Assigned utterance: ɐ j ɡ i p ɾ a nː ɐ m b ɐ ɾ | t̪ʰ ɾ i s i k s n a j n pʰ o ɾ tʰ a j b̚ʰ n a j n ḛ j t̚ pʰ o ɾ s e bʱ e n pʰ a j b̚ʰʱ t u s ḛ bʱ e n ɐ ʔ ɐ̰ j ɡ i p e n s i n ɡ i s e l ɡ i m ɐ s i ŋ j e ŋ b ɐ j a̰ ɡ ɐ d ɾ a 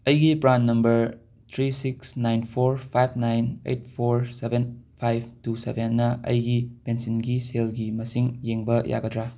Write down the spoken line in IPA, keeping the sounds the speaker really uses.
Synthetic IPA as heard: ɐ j ɡ i p ɾ a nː ɐ m b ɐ ɾ | t̪ʰ ɾ i s i k s n a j n pʰ o ɾ pʰ a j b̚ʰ n a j n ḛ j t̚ pʰ o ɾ s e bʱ e n pʰ a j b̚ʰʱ t u s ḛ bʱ e nː ɐ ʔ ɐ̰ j ɡ i p e n s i n ɡ i s e l ɡ i m ɐ s i ŋ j e ŋ b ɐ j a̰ ɡ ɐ d ɾ a